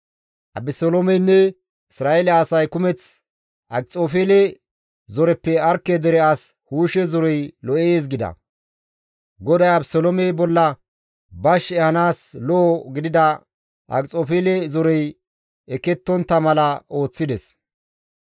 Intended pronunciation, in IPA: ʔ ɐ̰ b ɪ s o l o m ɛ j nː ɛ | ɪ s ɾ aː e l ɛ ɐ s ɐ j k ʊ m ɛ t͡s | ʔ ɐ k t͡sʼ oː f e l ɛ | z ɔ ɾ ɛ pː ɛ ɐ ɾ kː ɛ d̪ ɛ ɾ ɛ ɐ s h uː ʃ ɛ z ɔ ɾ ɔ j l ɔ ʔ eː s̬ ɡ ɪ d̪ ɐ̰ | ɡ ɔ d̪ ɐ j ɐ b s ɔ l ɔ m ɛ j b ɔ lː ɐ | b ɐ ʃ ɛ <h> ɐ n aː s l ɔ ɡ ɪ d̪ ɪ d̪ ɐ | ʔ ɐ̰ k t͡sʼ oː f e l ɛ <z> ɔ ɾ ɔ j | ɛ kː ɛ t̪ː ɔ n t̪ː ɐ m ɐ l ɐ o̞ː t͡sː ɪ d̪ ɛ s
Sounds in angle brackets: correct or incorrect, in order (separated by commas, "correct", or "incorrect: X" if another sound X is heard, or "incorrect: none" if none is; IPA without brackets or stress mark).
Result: correct, correct